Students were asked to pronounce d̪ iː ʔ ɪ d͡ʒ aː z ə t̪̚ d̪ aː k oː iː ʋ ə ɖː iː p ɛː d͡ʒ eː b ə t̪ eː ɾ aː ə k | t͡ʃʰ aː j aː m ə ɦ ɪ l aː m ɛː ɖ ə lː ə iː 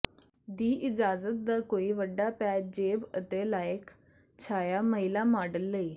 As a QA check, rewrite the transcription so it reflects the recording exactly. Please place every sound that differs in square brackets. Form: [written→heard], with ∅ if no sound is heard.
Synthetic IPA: d̪ iː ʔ ɪ d͡ʒ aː z ə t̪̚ d̪ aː k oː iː ʋ ə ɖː [iː→aː] p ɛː d͡ʒ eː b ə t̪ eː [ɾ→l] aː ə k | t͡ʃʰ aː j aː m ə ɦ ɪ l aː m [ɛː→aː] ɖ ə lː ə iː